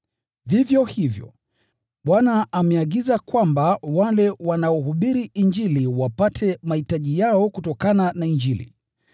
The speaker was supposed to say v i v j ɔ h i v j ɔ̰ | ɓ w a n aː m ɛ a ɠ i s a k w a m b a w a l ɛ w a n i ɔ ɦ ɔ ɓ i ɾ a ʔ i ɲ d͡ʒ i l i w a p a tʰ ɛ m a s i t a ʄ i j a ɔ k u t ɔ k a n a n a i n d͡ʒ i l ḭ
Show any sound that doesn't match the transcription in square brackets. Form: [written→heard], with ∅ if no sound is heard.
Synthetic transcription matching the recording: v i v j ɔ h i v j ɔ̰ | ɓ w a n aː m ɛ a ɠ i [s→z] a k w a m b a w a l ɛ w a n [i→a] ɔ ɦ [ɔ→u] ɓ i ɾ [a→i] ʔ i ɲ d͡ʒ i l i w a p a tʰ ɛ m a [s→h] i t a ʄ i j a ɔ k u t ɔ k a n a n a i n d͡ʒ i l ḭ